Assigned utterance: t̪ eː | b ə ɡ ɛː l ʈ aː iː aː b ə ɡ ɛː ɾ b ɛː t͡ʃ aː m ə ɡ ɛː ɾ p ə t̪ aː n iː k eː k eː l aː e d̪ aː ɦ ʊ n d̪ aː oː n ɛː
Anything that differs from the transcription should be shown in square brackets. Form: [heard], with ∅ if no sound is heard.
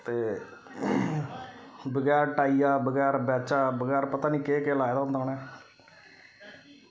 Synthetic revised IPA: t̪ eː | b ə ɡ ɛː [ɾ] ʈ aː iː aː b ə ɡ ɛː ɾ b ɛː t͡ʃ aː [b] ə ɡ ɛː ɾ p ə t̪ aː n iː k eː k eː l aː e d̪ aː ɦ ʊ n d̪ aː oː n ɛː